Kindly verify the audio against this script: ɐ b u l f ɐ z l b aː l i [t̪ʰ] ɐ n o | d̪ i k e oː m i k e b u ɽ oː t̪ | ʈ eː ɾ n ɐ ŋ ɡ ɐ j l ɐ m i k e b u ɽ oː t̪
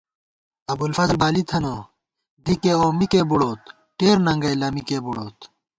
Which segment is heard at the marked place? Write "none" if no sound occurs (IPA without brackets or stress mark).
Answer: t̪ʰ